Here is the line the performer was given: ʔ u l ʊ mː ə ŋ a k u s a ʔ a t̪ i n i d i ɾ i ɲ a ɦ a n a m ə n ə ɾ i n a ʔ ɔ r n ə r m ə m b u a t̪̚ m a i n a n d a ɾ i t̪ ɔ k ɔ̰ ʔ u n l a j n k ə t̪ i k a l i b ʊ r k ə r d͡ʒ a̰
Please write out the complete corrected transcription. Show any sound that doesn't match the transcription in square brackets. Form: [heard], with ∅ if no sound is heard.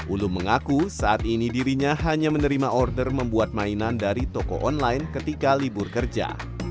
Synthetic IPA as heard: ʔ u l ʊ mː ə ŋ a k u s a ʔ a t̪ i n i d i ɾ i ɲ a ɦ a [ɲ] a m ə n ə ɾ i [m] a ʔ ɔ r [d] ə r m ə m b u a t̪̚ m a i n a n d a ɾ i t̪ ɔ k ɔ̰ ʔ [ɔ] n l a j n k ə t̪ i k a l i b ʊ r k ə r d͡ʒ a̰